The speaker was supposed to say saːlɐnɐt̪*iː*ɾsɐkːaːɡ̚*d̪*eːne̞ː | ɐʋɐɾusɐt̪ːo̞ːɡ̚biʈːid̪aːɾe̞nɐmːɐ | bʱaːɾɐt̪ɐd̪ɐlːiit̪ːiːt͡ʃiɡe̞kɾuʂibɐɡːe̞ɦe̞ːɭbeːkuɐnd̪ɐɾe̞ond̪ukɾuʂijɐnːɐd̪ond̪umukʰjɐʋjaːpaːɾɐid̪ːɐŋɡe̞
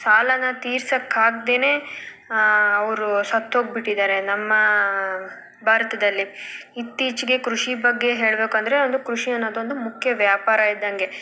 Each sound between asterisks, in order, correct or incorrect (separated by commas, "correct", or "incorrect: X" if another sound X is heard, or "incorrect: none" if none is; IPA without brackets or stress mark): correct, correct